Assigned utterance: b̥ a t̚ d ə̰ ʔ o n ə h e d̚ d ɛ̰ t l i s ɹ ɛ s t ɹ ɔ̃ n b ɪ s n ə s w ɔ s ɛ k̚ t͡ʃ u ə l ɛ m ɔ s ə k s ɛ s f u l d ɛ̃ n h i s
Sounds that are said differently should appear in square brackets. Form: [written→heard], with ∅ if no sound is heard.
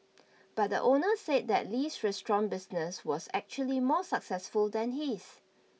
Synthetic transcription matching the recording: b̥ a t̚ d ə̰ ʔ o n ə [h→s] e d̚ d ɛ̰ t l i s ɹ ɛ s t ɹ ɔ̃ n b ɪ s n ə s w ɔ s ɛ k̚ t͡ʃ u ə l [ɛ→i] m ɔ s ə k s ɛ s f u l d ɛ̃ n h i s